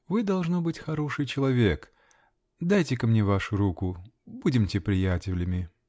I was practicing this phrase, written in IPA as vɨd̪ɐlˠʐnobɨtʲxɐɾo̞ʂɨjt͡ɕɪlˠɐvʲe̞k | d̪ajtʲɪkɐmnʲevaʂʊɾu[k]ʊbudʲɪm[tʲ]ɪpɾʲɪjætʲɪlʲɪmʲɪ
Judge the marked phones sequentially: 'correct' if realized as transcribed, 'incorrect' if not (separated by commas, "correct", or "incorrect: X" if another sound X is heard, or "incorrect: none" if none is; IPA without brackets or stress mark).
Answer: correct, correct